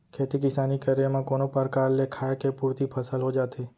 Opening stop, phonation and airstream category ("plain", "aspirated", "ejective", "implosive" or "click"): aspirated